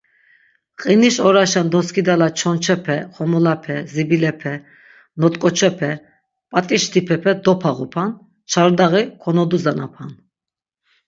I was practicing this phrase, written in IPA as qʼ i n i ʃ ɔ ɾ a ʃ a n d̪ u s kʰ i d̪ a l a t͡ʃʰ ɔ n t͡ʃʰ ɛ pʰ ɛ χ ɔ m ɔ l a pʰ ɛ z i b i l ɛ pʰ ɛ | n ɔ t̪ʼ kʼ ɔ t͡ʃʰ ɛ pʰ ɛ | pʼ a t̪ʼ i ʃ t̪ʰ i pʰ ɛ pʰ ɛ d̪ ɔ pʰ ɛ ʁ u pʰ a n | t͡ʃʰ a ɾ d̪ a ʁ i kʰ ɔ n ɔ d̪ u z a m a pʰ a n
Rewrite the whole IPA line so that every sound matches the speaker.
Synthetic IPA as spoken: qʼ i n i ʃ ɔ ɾ a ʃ a n d̪ ɔ s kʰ i d̪ a l a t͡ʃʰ ɔ n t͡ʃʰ ɛ pʰ ɛ χ ɔ m ɔ l a pʰ ɛ z i b i l ɛ pʰ ɛ | n ɔ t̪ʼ kʼ ɔ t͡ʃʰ ɛ pʰ ɛ | pʼ a t̪ʼ i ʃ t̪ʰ i pʰ ɛ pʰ ɛ d̪ ɔ pʰ a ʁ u pʰ a n | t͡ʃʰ a ɾ d̪ a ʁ i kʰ ɔ n ɔ d̪ u z a n a pʰ a n